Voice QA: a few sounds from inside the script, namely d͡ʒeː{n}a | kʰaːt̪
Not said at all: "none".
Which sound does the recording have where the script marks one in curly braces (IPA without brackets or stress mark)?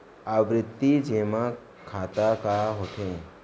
m